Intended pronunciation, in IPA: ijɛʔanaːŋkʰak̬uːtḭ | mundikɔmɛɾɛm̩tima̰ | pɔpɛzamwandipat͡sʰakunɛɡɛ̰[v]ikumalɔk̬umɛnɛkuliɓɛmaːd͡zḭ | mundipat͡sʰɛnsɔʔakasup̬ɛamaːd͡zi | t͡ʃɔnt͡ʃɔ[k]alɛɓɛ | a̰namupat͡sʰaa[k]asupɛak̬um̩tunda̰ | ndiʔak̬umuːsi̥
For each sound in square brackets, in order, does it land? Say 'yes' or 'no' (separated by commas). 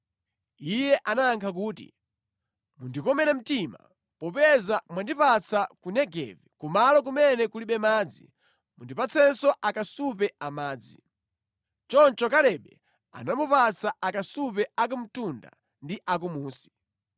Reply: yes, yes, yes